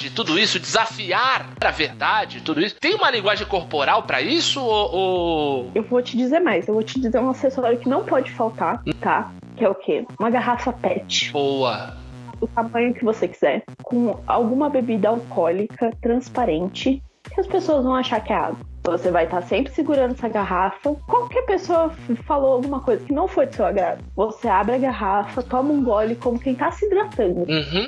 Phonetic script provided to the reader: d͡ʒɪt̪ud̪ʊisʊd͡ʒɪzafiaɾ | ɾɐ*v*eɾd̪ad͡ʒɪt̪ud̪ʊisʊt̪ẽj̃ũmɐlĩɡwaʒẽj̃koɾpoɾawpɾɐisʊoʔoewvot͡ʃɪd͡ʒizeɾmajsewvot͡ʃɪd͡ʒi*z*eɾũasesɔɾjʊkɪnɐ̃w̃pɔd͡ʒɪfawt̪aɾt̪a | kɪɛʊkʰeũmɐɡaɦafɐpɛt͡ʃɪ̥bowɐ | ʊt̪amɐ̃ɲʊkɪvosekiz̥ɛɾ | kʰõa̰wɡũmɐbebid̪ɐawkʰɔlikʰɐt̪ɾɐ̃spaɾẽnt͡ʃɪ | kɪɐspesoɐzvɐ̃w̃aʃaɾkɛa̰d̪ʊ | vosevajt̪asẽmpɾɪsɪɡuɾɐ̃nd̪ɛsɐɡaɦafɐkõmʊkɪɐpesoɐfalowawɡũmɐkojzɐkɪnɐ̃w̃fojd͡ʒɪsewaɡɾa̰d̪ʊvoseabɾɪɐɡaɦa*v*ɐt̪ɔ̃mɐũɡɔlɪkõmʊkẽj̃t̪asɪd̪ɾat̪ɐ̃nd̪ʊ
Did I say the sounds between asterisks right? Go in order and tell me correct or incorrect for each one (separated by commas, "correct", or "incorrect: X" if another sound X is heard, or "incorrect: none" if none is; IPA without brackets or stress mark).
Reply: correct, correct, incorrect: f